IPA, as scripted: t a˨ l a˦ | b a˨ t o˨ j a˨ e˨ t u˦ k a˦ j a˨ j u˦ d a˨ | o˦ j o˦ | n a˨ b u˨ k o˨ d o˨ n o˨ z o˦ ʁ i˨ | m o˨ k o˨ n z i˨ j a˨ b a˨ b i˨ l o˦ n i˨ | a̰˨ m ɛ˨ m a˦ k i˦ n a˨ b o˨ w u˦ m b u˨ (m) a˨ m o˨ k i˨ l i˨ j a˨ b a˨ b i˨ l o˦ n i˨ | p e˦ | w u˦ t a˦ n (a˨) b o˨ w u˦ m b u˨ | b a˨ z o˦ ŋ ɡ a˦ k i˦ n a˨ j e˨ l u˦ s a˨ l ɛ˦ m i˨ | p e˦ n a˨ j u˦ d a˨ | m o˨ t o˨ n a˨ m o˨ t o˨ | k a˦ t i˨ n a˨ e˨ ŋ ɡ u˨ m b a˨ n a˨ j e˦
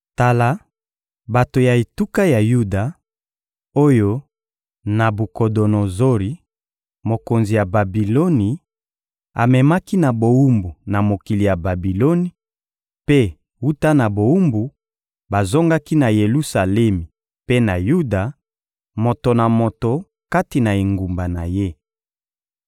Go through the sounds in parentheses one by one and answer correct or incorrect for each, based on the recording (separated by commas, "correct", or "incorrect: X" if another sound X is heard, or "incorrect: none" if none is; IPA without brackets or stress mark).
incorrect: n, correct